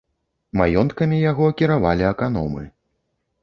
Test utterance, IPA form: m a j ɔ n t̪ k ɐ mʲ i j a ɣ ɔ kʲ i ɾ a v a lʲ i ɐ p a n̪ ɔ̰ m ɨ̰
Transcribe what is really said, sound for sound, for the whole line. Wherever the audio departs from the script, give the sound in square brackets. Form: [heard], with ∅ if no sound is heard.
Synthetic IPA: m a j ɔ n t̪ k ɐ mʲ i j a ɣ ɔ kʲ i ɾ a v a lʲ i ɐ [k] a n̪ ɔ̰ m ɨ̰